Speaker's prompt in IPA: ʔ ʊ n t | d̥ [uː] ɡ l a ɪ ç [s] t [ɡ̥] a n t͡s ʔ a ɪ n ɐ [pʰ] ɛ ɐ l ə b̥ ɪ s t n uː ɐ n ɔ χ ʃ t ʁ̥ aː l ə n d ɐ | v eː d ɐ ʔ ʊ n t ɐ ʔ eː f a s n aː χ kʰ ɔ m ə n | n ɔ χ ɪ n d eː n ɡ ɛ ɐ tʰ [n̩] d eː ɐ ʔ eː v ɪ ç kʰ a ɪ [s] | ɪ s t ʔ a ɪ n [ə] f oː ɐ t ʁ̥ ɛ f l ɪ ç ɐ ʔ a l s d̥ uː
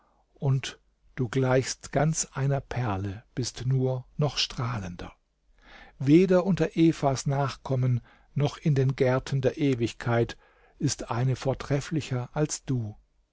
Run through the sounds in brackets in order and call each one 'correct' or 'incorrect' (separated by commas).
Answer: correct, correct, correct, correct, correct, incorrect, correct